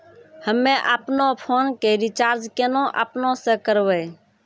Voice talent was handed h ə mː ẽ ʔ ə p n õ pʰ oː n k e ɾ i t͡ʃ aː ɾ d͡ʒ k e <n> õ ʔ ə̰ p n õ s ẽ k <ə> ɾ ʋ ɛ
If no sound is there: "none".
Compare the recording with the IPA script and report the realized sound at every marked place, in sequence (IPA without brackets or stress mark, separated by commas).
n, ə